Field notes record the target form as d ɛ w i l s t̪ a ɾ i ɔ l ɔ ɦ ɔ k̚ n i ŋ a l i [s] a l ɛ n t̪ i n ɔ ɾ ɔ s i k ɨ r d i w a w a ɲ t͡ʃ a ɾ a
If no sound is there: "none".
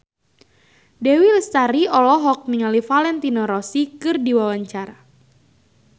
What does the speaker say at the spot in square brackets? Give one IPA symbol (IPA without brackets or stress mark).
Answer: f